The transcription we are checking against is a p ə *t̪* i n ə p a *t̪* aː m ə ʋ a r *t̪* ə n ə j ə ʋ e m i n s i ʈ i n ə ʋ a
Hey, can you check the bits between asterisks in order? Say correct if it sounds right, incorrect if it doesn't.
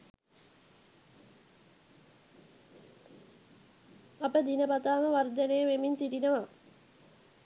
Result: incorrect: d̪, correct, incorrect: d̪

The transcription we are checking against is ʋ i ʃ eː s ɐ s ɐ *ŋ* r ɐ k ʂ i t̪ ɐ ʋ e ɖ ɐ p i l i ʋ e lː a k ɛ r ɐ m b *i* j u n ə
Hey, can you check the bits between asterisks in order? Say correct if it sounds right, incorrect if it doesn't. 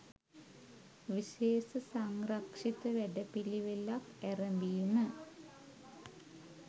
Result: correct, correct

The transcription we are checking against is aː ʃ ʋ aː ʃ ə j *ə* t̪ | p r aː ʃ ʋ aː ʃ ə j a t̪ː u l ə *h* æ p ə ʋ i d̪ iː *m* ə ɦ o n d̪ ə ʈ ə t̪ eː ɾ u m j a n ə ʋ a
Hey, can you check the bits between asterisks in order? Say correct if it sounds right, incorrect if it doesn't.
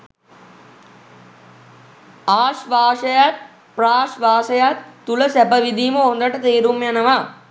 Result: incorrect: a, incorrect: s, correct

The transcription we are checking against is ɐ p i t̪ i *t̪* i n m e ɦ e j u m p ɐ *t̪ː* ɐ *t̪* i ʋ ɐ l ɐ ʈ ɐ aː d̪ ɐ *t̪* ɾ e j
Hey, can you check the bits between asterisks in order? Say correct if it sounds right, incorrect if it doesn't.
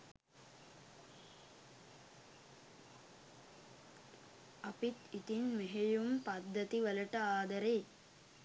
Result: correct, incorrect: d̪ː, correct, incorrect: none

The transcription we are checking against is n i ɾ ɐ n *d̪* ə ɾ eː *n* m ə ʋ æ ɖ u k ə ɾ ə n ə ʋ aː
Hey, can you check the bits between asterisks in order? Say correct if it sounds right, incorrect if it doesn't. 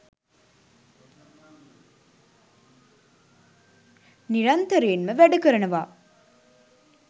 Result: incorrect: t̪, correct

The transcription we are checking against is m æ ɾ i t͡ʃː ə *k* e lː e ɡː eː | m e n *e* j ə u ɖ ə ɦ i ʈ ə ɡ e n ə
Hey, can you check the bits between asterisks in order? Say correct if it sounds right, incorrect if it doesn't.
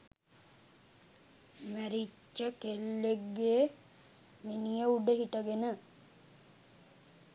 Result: correct, incorrect: i

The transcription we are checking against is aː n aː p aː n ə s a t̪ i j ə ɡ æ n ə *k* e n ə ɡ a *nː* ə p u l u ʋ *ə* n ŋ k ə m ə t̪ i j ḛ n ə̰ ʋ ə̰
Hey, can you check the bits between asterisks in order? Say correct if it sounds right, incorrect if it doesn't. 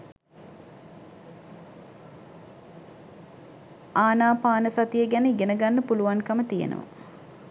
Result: incorrect: ɡ, correct, incorrect: a

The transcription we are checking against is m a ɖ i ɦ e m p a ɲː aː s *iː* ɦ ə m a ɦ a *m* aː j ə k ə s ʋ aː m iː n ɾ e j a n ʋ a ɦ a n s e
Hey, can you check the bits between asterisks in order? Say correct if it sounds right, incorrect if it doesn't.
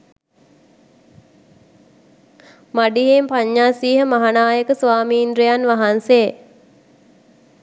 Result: correct, incorrect: n

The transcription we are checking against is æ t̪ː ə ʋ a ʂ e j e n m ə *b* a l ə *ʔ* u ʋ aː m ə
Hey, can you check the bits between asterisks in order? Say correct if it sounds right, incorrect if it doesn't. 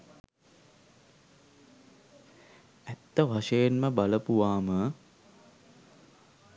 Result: correct, incorrect: p

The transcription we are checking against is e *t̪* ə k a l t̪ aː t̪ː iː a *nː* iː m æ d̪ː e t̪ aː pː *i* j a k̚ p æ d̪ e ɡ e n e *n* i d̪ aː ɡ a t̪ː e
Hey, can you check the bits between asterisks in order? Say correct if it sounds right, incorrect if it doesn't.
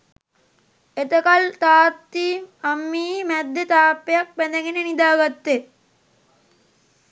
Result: correct, incorrect: mː, incorrect: e, correct

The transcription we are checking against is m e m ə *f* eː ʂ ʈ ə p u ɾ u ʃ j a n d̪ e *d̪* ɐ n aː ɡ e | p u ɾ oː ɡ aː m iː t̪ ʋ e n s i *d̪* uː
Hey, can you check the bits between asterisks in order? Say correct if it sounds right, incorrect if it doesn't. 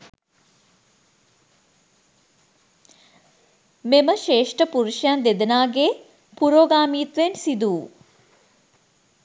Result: incorrect: ʃ, correct, correct

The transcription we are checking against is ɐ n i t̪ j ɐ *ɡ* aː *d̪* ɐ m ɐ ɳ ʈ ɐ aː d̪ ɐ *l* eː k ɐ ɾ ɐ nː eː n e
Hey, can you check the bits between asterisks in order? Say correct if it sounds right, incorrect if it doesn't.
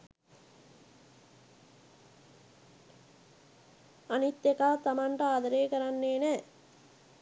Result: incorrect: k, incorrect: t̪, incorrect: ɾ

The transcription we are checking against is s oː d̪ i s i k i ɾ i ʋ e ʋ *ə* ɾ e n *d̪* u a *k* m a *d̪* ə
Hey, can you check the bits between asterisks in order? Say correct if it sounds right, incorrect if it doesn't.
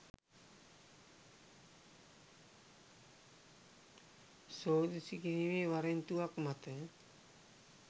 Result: incorrect: a, incorrect: t̪, correct, incorrect: t̪

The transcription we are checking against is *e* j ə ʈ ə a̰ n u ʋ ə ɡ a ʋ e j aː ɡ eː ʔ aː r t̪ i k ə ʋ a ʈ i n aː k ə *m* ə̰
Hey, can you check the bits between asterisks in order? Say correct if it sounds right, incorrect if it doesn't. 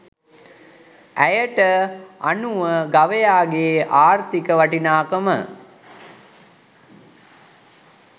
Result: incorrect: æ, correct

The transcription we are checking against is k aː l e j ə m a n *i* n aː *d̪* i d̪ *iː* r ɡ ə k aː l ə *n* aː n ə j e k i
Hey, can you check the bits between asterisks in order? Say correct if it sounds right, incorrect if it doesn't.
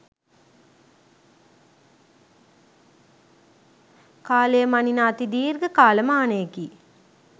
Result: correct, incorrect: t̪, correct, incorrect: m

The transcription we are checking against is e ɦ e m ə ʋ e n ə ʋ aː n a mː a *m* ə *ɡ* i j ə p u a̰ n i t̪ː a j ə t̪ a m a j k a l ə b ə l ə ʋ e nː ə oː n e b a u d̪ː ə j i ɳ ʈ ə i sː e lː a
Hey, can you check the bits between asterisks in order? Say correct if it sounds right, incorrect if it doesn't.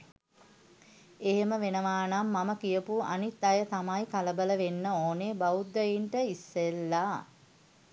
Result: correct, incorrect: k

